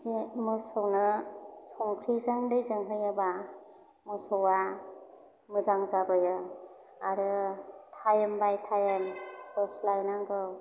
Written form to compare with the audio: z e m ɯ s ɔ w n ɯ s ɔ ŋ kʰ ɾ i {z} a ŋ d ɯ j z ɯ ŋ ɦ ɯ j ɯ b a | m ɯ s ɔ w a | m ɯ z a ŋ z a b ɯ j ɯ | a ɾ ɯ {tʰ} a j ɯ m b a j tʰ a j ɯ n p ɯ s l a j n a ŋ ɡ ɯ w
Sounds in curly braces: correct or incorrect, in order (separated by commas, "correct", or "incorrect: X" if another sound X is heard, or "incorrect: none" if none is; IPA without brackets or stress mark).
correct, correct